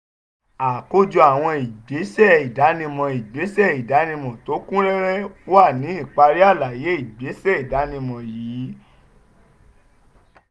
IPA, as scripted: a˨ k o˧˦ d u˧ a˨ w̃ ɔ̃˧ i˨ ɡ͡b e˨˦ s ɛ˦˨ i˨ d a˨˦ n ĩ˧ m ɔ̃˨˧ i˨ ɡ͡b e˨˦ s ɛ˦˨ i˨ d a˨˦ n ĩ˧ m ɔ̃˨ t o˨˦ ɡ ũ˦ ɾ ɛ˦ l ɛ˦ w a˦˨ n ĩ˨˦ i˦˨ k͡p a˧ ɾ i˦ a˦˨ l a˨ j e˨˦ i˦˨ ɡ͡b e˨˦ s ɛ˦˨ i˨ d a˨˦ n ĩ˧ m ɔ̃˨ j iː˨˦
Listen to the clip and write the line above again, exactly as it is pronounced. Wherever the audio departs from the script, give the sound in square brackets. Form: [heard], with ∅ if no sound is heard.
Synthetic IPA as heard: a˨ k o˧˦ [d͡ʒ] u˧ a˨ w̃ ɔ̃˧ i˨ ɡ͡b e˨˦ s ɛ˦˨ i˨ d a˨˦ n ĩ˧ m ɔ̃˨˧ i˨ ɡ͡b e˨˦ s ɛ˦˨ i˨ d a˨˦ n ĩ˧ m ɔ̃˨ t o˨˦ [k] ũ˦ ɾ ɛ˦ [ɾ] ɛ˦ w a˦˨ n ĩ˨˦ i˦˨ k͡p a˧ ɾ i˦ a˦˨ l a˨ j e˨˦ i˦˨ ɡ͡b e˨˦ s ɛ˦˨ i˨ d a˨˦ n ĩ˧ m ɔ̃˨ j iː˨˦